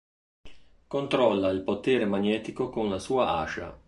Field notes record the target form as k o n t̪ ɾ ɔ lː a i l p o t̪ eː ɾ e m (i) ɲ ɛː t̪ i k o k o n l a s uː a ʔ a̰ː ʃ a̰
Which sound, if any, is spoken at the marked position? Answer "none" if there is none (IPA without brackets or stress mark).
a